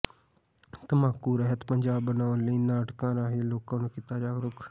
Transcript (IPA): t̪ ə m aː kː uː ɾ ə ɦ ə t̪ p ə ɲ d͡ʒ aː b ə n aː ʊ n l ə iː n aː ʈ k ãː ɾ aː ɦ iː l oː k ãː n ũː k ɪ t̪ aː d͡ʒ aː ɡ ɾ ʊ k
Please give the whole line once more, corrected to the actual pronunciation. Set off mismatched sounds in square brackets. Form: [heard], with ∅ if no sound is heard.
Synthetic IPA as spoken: t̪ ə m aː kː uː ɾ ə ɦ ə t̪ p ə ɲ d͡ʒ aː b ə n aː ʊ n l ə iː n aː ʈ k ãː ɾ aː ɦ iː l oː k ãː n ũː k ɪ t̪ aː d͡ʒ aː ɡ ɾ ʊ k